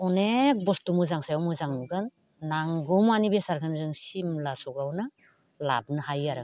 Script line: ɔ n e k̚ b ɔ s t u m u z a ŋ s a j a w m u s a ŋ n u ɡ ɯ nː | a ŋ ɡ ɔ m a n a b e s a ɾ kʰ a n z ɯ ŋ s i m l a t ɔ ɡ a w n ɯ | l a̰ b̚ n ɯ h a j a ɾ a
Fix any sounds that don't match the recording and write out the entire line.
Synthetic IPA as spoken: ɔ n e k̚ b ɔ s t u m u z a ŋ s a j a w m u z a ŋ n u ɡ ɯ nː | a ŋ ɡ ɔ m a n i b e s a ɾ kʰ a n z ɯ ŋ s i m l a s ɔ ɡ a w n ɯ | l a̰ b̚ n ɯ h a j a ɾ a